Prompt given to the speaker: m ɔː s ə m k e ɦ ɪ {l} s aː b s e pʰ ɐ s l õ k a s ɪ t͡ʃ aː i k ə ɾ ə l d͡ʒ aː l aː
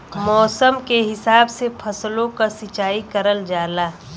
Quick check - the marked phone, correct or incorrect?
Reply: incorrect